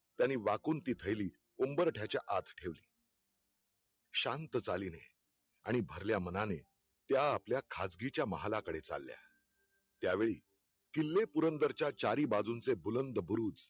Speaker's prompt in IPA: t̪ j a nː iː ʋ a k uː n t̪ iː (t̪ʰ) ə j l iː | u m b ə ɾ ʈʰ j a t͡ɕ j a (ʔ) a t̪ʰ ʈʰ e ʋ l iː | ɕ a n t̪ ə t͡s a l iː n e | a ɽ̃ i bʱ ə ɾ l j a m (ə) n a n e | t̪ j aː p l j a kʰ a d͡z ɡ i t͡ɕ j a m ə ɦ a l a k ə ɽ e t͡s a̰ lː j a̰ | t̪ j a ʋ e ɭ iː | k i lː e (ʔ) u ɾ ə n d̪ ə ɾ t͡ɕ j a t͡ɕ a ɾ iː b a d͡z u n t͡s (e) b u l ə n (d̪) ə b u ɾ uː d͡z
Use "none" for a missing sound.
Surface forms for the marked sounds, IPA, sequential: t̪ʰ, ʔ, ə, p, e, d̪

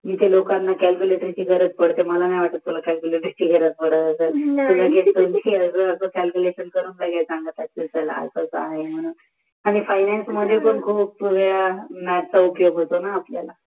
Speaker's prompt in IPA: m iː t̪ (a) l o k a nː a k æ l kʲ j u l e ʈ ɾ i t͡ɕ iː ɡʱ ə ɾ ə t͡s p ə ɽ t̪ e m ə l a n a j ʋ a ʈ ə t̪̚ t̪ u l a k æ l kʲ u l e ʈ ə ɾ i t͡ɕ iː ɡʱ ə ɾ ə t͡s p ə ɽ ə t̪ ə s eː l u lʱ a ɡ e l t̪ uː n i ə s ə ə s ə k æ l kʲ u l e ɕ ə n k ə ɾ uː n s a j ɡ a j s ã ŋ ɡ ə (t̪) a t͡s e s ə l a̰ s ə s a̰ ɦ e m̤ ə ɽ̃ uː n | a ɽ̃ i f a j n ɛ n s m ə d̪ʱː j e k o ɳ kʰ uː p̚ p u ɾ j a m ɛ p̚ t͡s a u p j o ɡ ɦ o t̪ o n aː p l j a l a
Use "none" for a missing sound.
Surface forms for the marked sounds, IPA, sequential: e, t̪

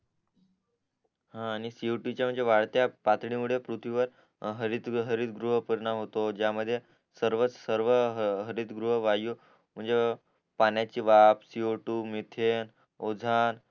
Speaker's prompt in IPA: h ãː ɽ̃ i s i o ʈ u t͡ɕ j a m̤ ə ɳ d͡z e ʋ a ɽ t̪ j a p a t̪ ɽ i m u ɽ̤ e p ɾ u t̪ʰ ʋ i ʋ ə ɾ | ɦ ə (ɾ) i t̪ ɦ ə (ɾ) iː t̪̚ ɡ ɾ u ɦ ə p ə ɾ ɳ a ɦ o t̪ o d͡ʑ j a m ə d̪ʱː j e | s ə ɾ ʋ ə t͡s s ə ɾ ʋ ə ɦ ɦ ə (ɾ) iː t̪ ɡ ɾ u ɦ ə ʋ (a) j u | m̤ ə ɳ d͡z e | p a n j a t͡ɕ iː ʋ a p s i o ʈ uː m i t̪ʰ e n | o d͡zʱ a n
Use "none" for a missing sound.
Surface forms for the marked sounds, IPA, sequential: ɾ, ɾ, ɾ, a

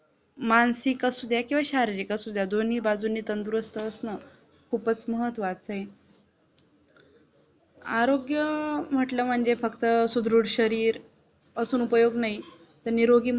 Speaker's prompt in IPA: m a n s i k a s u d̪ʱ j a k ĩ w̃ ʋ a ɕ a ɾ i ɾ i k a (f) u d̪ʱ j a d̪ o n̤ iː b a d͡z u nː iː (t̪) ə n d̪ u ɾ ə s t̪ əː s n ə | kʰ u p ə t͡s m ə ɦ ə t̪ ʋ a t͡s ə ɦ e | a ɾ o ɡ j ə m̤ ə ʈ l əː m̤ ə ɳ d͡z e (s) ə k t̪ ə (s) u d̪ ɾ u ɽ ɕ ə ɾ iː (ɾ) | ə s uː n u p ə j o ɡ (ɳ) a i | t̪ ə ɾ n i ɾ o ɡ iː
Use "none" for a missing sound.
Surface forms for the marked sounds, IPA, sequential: s, t̪, f, s, ɾ, n

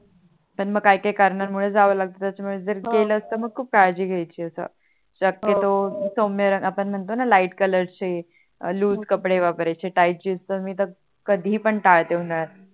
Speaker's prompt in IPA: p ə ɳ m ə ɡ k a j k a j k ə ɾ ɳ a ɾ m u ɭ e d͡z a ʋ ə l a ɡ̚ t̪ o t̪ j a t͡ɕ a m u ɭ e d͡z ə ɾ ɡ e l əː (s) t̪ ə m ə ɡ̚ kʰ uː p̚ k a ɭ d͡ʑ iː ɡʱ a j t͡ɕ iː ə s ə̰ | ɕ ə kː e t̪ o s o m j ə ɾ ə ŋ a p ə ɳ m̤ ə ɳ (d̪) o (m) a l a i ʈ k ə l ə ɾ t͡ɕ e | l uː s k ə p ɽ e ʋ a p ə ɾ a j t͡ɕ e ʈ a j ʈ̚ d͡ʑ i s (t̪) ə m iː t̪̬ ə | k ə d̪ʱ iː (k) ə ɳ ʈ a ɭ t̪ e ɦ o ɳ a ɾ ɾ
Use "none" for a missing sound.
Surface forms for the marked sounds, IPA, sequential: s, t̪, n, t̪, p

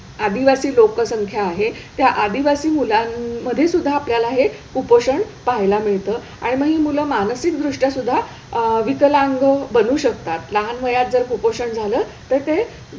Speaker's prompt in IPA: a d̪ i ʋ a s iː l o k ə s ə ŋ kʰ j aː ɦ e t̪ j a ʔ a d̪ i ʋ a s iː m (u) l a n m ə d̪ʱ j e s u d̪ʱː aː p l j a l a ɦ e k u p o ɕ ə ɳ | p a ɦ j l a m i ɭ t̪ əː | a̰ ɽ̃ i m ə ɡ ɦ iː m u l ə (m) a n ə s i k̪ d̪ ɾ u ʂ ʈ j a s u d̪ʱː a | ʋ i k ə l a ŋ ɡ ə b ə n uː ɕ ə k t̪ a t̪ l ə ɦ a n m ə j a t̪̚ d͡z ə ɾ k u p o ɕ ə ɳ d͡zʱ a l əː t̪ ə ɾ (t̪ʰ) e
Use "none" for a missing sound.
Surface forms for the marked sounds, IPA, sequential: u, m, t̪

